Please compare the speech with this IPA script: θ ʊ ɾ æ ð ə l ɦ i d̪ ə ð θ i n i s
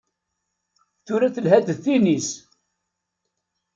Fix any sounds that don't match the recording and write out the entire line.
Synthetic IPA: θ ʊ ɾ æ θ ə l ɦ æ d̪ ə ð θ i n i s